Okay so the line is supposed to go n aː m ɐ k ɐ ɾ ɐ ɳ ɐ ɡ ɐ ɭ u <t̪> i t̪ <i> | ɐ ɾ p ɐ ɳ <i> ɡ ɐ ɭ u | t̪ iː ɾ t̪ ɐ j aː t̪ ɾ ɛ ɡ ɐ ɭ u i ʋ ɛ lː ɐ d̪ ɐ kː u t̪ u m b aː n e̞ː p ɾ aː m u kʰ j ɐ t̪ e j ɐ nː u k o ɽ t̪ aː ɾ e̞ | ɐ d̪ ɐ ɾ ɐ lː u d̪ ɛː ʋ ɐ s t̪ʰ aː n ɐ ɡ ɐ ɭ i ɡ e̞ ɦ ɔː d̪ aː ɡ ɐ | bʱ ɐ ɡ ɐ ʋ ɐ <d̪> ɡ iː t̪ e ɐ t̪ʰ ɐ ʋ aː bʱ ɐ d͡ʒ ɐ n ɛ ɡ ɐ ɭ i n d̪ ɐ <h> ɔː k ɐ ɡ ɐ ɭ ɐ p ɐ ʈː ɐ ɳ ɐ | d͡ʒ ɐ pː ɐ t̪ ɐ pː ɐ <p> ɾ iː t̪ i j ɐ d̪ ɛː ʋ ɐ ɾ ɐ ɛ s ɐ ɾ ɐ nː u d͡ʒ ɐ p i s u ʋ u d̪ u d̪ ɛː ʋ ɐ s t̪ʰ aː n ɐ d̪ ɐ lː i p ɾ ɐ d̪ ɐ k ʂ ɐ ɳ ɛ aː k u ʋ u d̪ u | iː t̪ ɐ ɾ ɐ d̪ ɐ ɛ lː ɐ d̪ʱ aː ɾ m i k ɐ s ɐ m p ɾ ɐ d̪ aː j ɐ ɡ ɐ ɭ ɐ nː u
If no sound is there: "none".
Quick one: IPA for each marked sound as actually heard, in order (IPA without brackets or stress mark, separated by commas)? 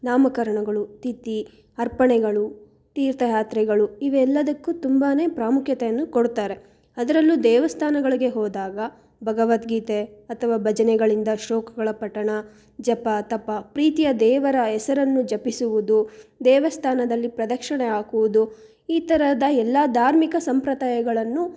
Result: t̪, i, ɛ, t̪, ʃ, p